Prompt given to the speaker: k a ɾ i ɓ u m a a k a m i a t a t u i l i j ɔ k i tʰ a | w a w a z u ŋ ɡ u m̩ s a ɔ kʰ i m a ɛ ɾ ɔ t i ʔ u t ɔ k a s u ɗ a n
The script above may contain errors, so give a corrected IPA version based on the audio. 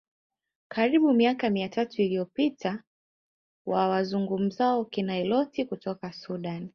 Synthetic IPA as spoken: k a ɾ i ɓ u m i a k a m i a t a t u i l i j ɔ p i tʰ a | w a w a z u ŋ ɡ u m̩ z a ɔ k i n a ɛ l ɔ t i k u t ɔ k a s u ɗ a n

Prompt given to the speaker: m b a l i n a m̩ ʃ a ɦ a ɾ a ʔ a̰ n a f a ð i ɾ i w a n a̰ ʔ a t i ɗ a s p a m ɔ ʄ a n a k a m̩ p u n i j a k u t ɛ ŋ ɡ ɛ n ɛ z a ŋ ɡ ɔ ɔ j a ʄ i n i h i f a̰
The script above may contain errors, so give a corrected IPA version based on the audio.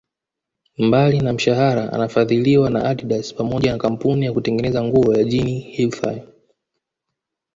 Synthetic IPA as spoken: m b a l i n a m̩ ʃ a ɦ a ɾ a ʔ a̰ n a f a ð i l i w a n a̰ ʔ a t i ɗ a s p a m ɔ ʄ a n a k a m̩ p u n i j a k u t ɛ ŋ ɡ ɛ n ɛ z a ŋ ɡ u ɔ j a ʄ i n i h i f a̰

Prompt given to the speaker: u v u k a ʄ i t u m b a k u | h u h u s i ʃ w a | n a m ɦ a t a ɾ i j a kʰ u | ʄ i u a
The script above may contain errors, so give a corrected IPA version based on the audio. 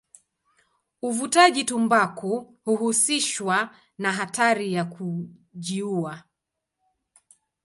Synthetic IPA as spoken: u v u t a ʄ i t u m b a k u | h u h u s i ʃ w a | n a ɦ a t a ɾ i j a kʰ u | ʄ i u a

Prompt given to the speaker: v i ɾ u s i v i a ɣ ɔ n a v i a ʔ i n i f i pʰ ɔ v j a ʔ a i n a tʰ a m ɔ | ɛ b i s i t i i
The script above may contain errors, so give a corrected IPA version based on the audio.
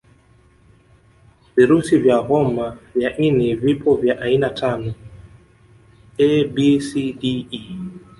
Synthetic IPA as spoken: v i ɾ u s i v j a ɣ ɔ m a v j a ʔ i n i v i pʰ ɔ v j a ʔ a i n a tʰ a n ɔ | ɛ b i s i d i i

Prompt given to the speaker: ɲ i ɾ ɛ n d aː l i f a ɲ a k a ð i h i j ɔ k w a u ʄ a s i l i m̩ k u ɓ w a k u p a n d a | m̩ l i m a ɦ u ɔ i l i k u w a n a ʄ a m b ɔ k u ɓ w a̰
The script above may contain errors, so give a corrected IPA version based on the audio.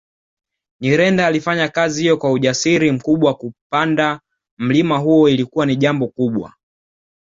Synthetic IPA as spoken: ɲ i ɾ ɛ n d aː l i f a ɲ a k a z i h i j ɔ k w a u ʄ a s i ɾ i m̩ k u ɓ w a k u p a n d a | m̩ l i m a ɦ u ɔ i l i k u w a n i ʄ a m b ɔ k u ɓ w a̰

